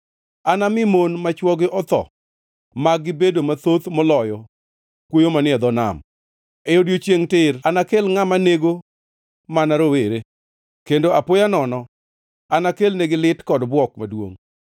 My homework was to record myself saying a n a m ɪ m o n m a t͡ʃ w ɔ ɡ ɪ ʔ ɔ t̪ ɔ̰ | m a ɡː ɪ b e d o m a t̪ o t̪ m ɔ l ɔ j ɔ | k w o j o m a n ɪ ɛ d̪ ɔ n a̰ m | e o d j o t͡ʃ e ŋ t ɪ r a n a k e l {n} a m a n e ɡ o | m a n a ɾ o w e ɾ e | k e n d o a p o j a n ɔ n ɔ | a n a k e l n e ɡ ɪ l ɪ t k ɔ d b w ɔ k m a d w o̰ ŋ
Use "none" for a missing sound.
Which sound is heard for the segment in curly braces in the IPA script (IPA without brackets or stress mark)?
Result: ŋ